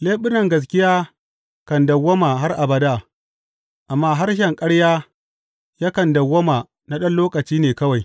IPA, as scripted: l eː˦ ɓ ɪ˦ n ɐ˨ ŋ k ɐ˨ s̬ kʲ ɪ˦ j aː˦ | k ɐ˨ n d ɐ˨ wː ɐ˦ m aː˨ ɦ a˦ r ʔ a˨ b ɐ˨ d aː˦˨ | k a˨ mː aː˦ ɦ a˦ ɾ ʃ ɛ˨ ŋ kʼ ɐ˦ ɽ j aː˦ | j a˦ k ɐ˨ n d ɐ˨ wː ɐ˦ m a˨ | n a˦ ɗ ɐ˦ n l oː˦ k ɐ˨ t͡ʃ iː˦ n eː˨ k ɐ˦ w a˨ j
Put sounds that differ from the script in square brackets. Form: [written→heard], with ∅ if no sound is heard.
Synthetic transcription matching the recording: l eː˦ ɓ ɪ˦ n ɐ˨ ŋ [k→ɡ] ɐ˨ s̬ kʲ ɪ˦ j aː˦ | k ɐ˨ n d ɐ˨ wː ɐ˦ m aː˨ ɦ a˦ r ʔ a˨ b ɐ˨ d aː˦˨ | [k→ʔ] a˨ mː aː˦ ɦ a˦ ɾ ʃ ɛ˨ ŋ kʼ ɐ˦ ɽ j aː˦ | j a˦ k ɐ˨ n d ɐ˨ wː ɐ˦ m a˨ | n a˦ ɗ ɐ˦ n l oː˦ k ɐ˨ t͡ʃ iː˦ n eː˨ k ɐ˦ w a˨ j